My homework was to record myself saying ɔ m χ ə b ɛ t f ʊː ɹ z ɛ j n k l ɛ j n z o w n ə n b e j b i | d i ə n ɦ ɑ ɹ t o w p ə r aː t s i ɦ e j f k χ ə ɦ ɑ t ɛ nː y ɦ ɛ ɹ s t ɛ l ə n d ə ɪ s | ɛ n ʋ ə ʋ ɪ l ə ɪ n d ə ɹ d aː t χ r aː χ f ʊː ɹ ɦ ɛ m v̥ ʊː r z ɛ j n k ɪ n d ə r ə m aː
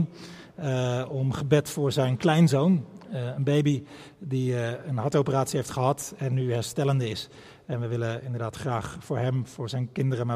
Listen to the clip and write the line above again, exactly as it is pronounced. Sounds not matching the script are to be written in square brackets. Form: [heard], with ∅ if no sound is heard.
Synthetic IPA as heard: ɔ m χ ə b ɛ t f ʊː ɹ z ɛ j n k l ɛ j n z o w n ə n b e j b i | d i ə n ɦ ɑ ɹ t o w p ə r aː t s i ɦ e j f [t] χ ə ɦ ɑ t ɛ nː y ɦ ɛ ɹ s t ɛ l ə n d ə ɪ s | ɛ n ʋ ə ʋ ɪ l ə ɪ n d ə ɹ d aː t χ r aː χ f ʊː ɹ ɦ ɛ m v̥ ʊː [ɹ] z ɛ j n k ɪ n d ə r ə m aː